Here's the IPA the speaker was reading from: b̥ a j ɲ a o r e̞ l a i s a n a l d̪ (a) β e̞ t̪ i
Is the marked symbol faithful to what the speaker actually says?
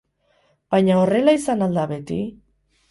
yes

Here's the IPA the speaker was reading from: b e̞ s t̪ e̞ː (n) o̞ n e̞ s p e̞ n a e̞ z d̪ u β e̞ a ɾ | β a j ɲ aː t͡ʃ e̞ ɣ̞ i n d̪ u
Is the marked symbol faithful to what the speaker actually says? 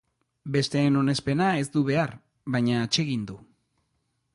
yes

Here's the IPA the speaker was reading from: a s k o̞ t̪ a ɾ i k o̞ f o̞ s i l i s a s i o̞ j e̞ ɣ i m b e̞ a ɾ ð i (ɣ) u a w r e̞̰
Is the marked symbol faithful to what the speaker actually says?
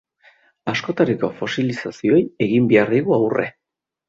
yes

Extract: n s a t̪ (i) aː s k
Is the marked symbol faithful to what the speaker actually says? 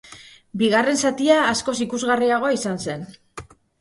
yes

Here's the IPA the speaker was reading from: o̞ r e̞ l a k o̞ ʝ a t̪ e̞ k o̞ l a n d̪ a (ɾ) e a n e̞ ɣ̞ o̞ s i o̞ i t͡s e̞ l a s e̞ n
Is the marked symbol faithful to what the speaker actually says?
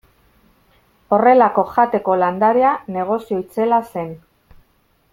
yes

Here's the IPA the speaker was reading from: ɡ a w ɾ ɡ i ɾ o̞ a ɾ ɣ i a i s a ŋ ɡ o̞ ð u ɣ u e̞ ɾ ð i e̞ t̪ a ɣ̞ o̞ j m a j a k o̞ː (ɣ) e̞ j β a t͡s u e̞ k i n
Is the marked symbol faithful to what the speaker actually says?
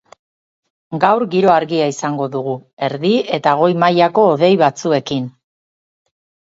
no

